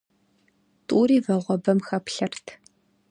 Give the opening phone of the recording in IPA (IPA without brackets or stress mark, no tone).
tʼ